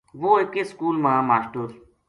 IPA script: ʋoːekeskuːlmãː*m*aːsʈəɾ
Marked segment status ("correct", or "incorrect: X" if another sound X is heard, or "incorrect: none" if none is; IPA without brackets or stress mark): correct